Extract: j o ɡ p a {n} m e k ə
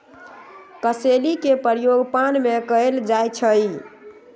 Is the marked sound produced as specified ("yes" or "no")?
yes